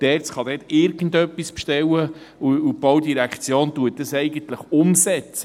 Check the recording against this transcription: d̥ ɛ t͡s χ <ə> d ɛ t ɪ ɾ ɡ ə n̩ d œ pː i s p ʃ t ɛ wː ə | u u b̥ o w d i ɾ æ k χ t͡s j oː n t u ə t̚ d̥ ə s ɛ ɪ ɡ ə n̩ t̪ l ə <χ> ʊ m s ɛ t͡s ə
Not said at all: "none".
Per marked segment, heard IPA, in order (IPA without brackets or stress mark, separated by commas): ɑ, χ